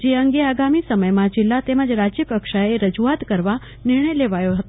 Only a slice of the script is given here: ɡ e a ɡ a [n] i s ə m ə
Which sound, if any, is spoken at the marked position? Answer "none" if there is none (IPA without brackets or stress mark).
m